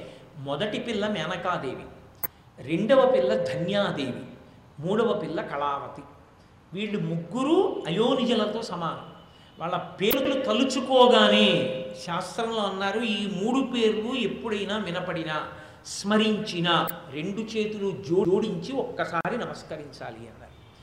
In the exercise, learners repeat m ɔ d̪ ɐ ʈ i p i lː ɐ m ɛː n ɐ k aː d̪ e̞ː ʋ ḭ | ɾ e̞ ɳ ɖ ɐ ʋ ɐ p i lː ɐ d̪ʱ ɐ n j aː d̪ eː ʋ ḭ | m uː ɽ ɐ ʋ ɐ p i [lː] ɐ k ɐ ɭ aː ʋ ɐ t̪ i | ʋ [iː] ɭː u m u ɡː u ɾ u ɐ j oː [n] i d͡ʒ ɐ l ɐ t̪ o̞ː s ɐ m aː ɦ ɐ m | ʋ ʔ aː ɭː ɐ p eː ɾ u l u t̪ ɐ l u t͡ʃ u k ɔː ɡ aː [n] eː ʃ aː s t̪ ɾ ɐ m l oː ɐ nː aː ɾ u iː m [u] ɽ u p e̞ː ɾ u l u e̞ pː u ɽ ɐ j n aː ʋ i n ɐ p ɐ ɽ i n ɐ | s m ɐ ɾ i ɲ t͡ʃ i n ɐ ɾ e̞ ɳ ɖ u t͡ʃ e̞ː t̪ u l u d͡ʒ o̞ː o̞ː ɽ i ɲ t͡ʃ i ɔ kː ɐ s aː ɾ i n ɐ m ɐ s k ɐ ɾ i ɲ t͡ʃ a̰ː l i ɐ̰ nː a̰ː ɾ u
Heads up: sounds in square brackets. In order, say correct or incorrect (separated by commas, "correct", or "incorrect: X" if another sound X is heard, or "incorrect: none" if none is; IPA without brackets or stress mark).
correct, correct, correct, correct, incorrect: uː